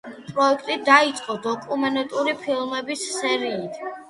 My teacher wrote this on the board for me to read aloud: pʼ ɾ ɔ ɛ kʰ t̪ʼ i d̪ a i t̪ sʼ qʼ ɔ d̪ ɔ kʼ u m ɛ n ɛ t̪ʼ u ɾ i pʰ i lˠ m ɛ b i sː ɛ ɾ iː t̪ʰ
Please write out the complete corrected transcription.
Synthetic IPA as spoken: pʼ ɾ ɔ ɛ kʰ t̪ʼ i d̪ a i t̪ sʼ qʼ ɔ d̪ ɔ kʼ u m ɛ n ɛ t̪ʼ u ɾ i pʰ i lˠ m ɛ b i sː ɛ ɾ iː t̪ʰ